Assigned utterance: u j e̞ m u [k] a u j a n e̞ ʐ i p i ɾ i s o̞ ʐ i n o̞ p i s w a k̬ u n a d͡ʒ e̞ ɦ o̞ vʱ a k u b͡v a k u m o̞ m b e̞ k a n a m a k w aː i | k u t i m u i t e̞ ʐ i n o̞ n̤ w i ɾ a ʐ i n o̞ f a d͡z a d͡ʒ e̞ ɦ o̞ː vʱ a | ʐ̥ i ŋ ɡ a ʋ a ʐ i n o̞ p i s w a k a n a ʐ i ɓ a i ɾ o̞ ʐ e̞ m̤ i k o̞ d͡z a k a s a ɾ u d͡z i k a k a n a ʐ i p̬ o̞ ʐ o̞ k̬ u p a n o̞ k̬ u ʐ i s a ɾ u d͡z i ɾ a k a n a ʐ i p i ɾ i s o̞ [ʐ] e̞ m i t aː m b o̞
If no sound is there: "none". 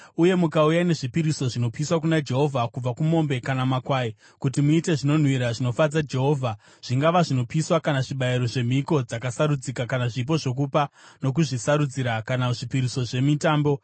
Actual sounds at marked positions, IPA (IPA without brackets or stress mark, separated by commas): k, ʐ